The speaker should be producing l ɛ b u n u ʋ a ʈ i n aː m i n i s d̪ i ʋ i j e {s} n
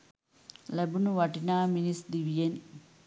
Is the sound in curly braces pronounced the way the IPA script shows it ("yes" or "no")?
no